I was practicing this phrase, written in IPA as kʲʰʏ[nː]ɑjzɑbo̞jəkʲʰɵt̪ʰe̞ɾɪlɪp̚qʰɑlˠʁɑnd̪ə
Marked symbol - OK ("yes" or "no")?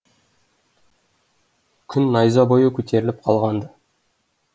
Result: yes